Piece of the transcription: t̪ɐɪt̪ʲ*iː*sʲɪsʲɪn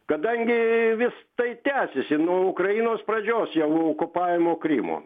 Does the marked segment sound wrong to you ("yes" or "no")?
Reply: yes